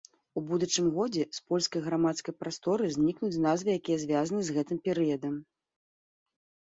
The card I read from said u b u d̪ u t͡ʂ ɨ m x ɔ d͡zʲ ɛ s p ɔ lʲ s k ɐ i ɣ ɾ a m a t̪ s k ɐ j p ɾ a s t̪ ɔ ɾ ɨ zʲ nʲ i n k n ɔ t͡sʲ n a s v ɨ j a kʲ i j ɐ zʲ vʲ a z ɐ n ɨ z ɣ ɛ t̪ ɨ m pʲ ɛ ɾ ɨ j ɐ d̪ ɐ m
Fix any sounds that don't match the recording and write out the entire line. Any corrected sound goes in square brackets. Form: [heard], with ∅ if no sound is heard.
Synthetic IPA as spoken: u b u d̪ u t͡ʂ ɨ m [ɣ] ɔ d͡zʲ ɛ s p ɔ lʲ s k ɐ [j] ɣ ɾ a m a t̪ s k ɐ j p ɾ a s t̪ ɔ ɾ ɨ zʲ nʲ i [∅] k n [u] t͡sʲ n a [z] v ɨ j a kʲ i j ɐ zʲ vʲ a z ɐ n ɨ z ɣ ɛ t̪ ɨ m pʲ ɛ ɾ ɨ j ɐ d̪ ɐ m